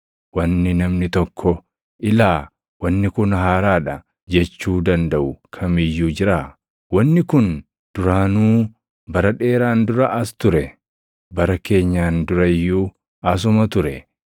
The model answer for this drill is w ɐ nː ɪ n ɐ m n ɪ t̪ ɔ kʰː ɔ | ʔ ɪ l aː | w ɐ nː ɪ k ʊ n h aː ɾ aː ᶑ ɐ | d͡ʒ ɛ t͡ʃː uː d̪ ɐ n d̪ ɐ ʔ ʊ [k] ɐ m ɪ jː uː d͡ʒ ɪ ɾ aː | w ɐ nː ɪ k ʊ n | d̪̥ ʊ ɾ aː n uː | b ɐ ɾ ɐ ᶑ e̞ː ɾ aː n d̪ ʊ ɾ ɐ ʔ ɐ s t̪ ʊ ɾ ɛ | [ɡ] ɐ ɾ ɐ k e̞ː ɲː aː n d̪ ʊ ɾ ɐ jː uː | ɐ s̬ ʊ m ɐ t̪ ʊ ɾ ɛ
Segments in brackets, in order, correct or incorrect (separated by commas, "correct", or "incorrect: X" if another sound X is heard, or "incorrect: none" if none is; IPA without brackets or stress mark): incorrect: kʰ, incorrect: b